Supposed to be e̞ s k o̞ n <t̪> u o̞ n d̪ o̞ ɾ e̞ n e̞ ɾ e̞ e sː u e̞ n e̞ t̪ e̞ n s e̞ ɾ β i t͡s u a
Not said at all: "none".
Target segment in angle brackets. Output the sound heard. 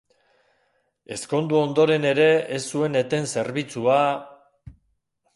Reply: d̪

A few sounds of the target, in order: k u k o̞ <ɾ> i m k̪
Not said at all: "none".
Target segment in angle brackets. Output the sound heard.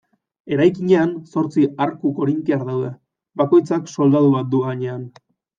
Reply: ɾ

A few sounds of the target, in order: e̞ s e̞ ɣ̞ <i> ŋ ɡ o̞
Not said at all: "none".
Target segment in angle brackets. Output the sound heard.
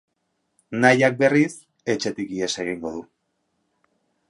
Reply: i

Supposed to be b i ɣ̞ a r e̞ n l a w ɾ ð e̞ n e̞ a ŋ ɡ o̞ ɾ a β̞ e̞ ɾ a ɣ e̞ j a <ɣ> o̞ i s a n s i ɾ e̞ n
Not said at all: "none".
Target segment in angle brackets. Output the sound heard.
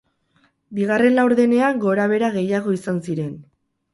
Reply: ɣ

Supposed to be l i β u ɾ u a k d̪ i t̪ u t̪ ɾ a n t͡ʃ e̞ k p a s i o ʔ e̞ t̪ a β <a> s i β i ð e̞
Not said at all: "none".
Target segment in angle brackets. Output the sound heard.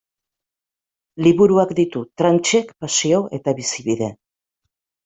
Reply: i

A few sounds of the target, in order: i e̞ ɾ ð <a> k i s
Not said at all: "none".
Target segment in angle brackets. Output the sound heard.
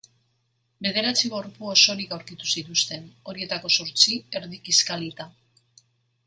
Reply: i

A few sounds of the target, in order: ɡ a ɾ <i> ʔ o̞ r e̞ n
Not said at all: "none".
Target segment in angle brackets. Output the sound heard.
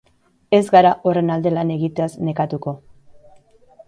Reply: a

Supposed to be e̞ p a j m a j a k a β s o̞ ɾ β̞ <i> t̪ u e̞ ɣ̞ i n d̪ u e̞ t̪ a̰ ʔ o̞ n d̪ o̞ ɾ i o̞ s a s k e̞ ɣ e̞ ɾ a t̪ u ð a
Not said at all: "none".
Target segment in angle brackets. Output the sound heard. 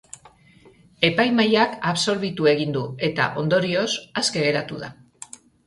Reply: i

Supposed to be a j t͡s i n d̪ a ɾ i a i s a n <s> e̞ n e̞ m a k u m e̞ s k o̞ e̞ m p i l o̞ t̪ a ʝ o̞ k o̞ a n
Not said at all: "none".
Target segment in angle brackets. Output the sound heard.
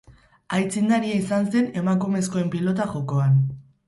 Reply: s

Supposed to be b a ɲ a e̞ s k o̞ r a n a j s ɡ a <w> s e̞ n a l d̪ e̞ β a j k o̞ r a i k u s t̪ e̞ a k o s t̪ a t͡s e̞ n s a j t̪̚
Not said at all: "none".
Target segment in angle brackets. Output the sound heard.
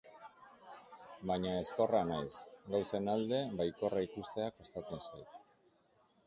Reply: w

